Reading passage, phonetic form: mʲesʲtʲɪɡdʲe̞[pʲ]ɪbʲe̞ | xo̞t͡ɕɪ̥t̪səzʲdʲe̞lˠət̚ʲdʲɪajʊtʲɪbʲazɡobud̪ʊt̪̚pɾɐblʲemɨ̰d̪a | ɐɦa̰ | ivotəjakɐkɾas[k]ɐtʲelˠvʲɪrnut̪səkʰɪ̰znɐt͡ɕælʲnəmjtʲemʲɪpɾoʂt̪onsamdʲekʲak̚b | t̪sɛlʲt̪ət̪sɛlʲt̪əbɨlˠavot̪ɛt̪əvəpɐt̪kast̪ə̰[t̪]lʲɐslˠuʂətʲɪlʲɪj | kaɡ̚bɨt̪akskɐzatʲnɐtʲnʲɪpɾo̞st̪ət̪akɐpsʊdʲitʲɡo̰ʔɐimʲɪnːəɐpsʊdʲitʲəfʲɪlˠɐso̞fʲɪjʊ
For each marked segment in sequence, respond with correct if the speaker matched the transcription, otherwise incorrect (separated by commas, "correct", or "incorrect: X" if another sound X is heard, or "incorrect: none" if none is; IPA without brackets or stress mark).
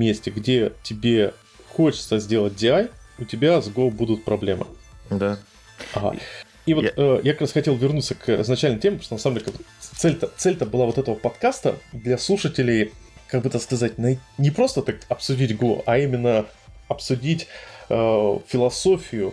incorrect: tʲ, incorrect: x, incorrect: d̪